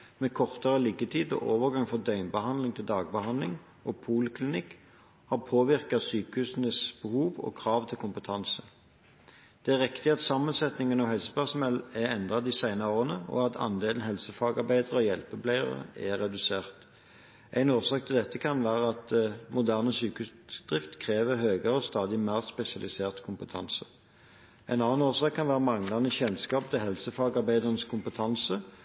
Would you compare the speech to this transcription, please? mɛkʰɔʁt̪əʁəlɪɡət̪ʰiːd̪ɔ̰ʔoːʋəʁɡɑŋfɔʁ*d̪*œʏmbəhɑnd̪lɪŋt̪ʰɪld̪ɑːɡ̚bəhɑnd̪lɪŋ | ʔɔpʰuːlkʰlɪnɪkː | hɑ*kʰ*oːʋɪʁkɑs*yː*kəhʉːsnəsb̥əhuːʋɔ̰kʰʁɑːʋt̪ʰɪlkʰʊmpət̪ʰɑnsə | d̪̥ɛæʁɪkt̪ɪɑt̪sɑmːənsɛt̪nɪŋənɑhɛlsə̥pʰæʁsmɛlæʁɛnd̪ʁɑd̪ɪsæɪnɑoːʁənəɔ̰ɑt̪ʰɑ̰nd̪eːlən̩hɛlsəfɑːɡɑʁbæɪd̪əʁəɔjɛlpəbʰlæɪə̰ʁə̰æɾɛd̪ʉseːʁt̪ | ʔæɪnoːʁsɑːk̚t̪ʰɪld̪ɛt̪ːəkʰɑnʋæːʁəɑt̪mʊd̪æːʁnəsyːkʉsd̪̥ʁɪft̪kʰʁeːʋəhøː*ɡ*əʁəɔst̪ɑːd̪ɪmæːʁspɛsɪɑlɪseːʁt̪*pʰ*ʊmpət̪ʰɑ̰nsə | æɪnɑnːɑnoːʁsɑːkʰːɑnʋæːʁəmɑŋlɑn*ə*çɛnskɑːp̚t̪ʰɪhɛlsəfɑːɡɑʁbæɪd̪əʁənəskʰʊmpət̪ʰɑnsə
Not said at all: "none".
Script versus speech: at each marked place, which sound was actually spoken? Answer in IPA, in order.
d̪, pʰ, yː, ɡ, kʰ, ə

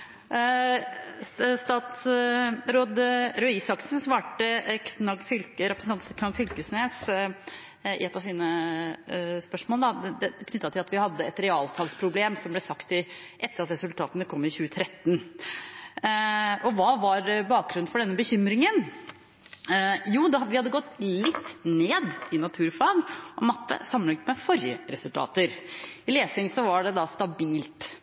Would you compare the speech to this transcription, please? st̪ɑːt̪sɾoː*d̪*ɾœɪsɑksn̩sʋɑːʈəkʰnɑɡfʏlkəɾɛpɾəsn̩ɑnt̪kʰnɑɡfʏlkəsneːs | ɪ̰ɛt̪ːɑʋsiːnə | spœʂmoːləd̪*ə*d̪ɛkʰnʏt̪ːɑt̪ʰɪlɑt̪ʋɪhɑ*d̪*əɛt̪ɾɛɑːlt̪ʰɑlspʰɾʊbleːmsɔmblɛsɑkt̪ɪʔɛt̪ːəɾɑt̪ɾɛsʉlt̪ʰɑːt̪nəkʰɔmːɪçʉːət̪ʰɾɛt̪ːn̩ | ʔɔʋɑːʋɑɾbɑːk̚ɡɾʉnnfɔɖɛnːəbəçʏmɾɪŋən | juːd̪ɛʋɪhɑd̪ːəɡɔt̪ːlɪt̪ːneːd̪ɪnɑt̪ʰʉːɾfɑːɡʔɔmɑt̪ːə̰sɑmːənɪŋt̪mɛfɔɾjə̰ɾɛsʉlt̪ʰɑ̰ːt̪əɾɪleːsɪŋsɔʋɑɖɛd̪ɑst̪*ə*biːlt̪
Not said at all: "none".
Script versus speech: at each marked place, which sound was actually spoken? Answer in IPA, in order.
d̪, ɑ, d̪ː, ɑ

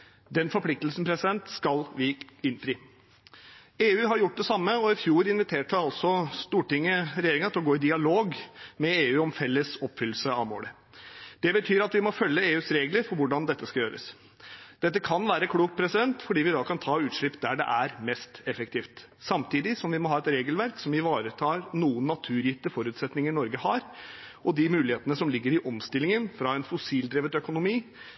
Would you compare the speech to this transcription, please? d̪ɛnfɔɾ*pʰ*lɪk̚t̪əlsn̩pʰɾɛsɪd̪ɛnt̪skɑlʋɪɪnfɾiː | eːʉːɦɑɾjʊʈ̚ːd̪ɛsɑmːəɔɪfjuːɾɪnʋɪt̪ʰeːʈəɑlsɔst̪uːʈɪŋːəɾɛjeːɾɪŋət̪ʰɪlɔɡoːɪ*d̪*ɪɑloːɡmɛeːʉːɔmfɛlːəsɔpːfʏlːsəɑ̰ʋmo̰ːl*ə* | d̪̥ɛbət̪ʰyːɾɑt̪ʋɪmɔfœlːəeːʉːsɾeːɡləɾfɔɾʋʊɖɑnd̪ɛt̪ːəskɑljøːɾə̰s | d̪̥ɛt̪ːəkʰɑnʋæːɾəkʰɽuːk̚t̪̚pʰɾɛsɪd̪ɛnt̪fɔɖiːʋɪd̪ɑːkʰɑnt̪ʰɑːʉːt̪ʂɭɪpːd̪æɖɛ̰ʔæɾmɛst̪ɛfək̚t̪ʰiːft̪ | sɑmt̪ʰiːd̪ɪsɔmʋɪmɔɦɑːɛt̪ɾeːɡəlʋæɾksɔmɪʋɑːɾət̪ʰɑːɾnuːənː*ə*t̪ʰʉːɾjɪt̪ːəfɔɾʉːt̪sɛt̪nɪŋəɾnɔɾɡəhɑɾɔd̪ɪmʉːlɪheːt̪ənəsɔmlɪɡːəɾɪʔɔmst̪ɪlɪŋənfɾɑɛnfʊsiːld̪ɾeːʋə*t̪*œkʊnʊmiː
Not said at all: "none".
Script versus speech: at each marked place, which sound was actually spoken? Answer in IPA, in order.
p, d̪, ə, ɑ, t̪

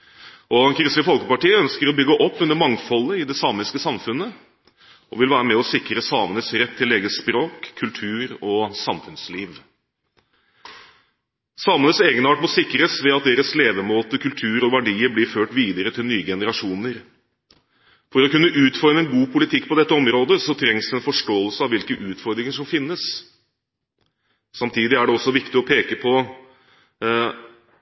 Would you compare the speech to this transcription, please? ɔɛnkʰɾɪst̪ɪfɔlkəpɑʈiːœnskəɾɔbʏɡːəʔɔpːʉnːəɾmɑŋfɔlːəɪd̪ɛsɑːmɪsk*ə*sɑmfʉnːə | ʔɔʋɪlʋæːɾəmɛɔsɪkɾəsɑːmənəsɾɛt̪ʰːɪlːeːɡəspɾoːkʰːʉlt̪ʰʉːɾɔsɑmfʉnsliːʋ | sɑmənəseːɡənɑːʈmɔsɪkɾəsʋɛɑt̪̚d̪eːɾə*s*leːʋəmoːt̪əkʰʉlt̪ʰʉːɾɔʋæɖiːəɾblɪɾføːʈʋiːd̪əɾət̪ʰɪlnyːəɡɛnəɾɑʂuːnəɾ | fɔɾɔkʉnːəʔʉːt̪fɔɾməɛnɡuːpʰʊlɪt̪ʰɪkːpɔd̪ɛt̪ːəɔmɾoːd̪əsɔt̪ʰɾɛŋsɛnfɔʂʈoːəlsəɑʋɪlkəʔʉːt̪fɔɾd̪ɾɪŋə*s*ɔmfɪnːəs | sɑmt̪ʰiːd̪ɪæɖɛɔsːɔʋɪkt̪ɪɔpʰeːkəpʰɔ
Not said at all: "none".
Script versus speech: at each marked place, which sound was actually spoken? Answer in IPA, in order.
ə, s, ʂ

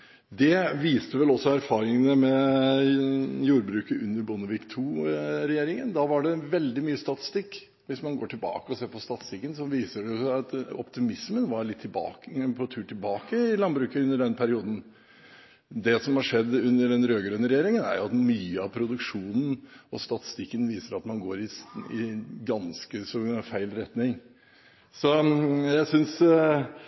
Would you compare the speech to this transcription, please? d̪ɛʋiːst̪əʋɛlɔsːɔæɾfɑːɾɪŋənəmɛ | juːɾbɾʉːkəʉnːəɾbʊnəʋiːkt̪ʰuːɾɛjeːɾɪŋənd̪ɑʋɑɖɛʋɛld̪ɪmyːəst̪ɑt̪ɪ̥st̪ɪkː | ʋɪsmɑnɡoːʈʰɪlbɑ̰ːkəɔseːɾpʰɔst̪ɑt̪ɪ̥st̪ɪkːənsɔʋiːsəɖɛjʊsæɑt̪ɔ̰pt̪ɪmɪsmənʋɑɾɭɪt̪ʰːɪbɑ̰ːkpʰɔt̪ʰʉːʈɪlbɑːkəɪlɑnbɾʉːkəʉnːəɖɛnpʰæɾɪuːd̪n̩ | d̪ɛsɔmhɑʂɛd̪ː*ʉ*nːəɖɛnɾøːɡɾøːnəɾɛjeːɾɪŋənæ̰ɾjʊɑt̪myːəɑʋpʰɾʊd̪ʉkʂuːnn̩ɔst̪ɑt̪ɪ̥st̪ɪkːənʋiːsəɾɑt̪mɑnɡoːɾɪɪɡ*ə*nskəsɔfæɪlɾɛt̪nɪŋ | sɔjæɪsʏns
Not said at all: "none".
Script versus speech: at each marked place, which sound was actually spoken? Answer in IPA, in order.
ʉ, ɑ

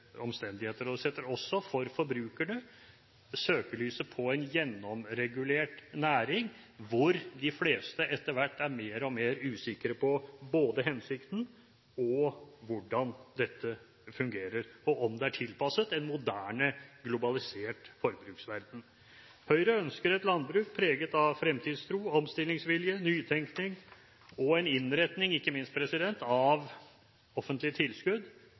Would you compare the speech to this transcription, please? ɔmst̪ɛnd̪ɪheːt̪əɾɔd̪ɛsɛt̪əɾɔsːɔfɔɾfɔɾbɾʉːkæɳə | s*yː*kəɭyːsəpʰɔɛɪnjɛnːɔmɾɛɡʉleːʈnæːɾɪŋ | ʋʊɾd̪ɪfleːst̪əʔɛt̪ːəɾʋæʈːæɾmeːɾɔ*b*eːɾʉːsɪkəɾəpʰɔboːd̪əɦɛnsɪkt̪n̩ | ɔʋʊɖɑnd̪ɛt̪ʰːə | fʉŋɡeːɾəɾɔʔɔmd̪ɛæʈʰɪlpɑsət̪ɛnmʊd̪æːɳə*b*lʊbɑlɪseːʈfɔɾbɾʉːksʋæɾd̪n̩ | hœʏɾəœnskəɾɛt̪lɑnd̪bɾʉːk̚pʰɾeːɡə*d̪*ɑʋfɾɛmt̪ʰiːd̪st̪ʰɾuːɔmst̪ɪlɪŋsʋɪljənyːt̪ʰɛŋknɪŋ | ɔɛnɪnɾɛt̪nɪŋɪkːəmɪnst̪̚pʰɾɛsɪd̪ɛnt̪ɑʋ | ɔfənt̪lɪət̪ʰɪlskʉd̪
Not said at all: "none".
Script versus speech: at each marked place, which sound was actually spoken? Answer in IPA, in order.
øː, m, ɡ, t̪

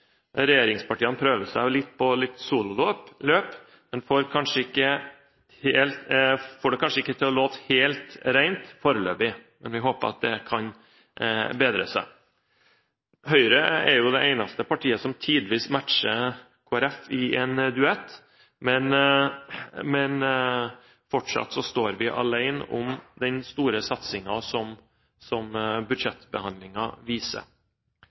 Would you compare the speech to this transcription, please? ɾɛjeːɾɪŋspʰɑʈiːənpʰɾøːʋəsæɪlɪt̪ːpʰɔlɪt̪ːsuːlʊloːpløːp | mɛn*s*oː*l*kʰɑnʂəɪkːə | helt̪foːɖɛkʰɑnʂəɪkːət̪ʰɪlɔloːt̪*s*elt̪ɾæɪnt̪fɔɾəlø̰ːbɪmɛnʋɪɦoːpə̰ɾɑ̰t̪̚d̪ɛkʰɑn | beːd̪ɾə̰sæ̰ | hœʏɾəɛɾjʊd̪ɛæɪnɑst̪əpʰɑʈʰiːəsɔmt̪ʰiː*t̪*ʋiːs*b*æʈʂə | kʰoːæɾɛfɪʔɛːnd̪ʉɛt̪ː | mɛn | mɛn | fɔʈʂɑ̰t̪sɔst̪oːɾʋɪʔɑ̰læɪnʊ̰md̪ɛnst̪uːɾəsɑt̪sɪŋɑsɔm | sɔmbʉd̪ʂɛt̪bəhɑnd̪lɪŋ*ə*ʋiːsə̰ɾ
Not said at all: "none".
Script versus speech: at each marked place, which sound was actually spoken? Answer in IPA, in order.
f, ɾ, h, d̪, m, ɑ

